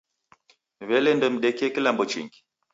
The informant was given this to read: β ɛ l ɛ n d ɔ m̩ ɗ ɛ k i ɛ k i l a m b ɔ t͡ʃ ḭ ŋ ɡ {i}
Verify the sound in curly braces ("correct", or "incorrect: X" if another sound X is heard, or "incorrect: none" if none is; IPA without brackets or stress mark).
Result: correct